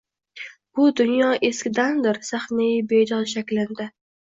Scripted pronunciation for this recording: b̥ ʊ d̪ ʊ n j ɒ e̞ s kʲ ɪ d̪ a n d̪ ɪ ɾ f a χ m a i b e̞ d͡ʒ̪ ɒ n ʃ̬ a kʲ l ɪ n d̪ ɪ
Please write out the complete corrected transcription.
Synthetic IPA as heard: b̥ ʊ d̪ ʊ n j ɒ e̞ s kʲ ɪ d̪ a n d̪ ɪ ɾ s a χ n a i b e̞ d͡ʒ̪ ɒ n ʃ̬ a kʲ l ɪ n d̪ ɪ

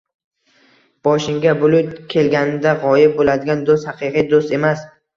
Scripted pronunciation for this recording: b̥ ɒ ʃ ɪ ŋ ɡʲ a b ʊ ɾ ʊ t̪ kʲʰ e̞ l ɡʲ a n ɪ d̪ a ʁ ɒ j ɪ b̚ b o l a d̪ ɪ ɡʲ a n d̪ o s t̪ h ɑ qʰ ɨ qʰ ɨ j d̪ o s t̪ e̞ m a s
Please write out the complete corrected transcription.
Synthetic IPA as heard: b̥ ɒ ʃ ɪ ŋ ɡʲ a b ʊ l ʊ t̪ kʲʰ e̞ l ɡʲ a n ɪ d̪ a ʁ ɒ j ɪ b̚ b o l a d̪ ɪ ɡʲ a n d̪ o s t̪ h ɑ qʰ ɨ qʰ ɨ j d̪ o s t̪ e̞ m a s

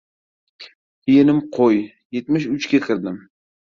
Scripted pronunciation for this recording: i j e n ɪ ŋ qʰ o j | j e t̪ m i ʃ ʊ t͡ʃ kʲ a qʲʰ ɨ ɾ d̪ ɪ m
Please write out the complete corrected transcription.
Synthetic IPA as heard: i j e n ɪ m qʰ o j | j e t̪ m ɪ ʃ ʊ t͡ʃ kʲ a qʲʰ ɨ ɾ d̪ ɪ m

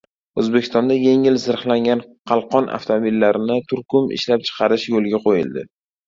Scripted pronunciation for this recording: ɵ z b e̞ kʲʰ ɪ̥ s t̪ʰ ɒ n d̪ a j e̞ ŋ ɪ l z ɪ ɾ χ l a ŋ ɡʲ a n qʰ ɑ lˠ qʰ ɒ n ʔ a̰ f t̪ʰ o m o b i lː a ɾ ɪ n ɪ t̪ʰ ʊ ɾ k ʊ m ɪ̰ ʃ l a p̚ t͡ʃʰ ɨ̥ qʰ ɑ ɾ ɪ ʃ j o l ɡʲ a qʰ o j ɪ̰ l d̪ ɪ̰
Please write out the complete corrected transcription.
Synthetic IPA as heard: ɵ z b e̞ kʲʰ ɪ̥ s t̪ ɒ n d̪ a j e̞ ŋ ɪ l z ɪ ɾ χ l a ŋ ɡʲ a n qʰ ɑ lˠ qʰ ɒ n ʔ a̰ f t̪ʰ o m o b i lː a ɾ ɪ n ɪ t̪ʰ ʊ ɾ k ʊ m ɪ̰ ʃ l a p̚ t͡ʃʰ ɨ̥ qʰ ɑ ɾ ɪ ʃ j o l ɡʲ a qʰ o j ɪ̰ l d̪ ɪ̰

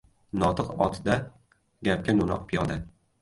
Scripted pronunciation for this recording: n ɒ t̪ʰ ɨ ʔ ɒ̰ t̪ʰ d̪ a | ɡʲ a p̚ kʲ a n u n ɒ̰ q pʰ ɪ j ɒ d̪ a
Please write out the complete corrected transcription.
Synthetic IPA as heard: n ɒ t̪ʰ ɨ q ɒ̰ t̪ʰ d̪ a | ɡʲ a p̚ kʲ a n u n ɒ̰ q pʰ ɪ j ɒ d̪ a

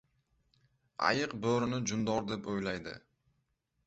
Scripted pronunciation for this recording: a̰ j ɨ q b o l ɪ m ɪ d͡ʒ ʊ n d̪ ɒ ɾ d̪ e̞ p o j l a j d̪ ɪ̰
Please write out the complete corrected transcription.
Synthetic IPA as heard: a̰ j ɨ q b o ɾ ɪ n ɪ d͡ʒ ʊ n d̪ ɒ ɾ d̪ e̞ p o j l a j d̪ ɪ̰

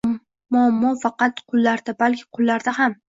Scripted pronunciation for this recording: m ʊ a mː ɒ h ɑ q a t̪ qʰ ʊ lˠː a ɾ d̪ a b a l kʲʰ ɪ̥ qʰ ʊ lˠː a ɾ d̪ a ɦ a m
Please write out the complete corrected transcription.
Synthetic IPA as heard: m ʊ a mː ɒ f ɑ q ɑ t̪ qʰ ʊ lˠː a ɾ d̪ a b a l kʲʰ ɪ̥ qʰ ʊ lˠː a ɾ d̪ a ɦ a m

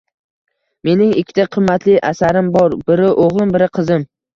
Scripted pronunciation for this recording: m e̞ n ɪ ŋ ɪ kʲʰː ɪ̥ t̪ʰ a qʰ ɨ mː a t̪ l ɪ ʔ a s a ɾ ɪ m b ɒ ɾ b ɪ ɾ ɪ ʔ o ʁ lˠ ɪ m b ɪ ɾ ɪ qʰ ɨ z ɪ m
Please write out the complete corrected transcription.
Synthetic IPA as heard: m e̞ n ɪ ŋ ɪ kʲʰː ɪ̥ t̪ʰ a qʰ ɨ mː a t̪ l ɪ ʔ a s a ɾ ɪ m b ɒ ɾ b ɪ ɾ ɪ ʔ o ʁ lˠ ɪ m b ɪ ɾ ɪ qʰ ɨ z ɪ m

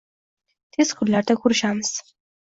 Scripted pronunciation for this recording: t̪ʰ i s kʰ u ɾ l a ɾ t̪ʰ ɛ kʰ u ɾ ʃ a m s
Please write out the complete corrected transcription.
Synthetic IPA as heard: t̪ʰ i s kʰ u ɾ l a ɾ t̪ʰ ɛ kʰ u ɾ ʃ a m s

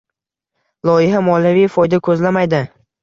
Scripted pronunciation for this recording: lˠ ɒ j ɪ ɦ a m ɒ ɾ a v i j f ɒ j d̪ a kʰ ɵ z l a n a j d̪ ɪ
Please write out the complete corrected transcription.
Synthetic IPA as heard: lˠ ɒ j ɪ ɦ a m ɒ l a v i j f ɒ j d̪ a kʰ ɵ z l a m a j d̪ ɪ

